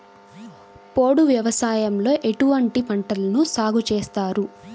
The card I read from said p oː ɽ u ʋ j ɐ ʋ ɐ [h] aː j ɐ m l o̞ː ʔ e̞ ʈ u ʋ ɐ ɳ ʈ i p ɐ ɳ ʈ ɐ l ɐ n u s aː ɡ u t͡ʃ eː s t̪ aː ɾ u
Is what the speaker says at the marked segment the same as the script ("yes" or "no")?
no